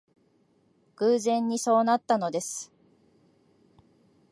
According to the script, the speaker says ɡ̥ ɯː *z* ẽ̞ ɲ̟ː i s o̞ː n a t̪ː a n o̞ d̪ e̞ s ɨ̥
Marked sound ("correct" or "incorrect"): correct